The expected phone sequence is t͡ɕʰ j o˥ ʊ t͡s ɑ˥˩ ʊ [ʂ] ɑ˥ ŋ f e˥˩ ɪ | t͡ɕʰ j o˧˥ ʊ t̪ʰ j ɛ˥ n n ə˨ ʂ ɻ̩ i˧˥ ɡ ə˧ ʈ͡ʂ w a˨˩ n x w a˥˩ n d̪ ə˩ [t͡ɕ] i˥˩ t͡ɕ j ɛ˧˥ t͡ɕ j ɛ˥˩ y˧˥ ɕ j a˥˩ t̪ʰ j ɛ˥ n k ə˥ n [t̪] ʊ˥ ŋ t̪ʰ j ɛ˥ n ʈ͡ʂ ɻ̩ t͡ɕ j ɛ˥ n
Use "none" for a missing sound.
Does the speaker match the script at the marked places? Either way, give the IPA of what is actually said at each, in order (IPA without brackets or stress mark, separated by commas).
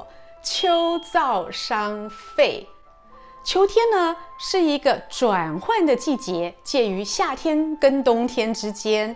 ʂ, t͡ɕ, t̪